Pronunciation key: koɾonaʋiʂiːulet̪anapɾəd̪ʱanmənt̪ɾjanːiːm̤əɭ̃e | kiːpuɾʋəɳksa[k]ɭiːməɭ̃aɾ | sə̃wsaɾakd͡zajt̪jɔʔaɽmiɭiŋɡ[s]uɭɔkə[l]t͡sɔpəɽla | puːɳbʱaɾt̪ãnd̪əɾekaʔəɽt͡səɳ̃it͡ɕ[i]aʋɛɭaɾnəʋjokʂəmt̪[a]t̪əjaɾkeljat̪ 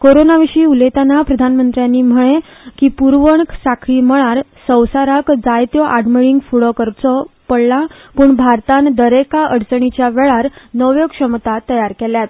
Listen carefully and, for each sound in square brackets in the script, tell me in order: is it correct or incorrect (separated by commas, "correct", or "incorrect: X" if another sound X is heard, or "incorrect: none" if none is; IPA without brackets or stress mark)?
incorrect: kʰ, incorrect: f, incorrect: ɾ, incorrect: j, correct